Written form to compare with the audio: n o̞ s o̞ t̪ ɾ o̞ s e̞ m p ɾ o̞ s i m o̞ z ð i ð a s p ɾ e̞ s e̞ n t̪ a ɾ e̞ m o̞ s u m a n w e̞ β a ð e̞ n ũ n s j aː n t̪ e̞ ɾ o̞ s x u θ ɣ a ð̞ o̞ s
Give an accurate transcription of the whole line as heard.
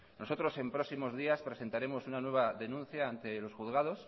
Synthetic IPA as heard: n o̞ s o̞ t̪ ɾ o̞ s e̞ m p ɾ o̞ s i m o̞ z ð i a s p ɾ e̞ s e̞ n t̪ a ɾ e̞ m o̞ s u n a n w e̞ β a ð e̞ n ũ n θ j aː n t̪ e̞ l o̞ s x u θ ɣ a ð̞ o̞ s